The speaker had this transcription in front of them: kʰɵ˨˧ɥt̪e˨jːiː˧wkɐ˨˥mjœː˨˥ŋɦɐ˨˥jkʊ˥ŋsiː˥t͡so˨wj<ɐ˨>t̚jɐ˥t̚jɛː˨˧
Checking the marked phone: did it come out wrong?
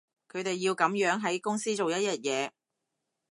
yes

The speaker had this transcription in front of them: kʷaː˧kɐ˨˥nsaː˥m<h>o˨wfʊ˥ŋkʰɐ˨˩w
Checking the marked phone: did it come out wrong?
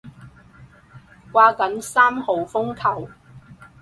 no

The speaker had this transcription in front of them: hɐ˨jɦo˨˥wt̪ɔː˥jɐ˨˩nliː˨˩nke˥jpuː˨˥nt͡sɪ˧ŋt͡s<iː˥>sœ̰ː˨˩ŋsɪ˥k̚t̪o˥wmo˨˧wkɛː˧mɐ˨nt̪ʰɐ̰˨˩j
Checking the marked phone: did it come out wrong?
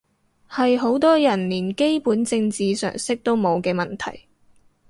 yes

